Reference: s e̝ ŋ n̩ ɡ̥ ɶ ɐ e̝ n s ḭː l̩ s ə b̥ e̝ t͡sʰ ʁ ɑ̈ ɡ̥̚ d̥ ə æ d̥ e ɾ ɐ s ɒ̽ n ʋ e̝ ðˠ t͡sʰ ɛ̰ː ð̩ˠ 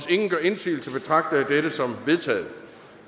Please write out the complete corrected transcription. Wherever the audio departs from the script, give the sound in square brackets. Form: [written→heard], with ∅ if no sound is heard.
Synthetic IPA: s e̝ ŋ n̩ ɡ̥ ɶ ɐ e̝ n s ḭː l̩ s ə b̥ e̝ t͡sʰ ʁ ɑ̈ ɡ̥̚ d̥ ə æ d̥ e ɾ [ɐ→ə] s ɒ̽ [n→m] ʋ e̝ ðˠ t͡sʰ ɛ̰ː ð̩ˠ